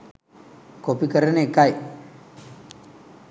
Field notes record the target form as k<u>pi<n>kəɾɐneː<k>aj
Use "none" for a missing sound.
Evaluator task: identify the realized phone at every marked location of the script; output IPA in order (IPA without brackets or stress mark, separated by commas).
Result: o, none, k